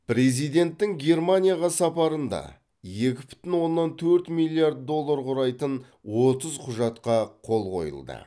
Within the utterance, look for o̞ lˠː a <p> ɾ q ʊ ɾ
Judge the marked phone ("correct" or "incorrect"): incorrect